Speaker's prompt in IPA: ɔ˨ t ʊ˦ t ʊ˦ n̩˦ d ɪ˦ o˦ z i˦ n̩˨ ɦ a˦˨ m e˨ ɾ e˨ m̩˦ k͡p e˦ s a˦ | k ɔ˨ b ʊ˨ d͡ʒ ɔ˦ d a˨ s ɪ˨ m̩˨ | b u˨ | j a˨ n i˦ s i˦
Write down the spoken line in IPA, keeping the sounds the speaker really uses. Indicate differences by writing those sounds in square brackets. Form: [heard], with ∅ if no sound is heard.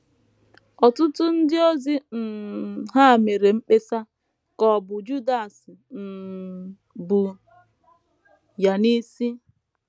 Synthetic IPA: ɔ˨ t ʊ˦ t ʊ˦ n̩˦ d ɪ˦ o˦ z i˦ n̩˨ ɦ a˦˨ m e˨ ɾ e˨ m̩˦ k͡p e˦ s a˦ | k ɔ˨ b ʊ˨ d͡ʒ [u˦] d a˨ s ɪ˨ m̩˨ | b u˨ | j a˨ n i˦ s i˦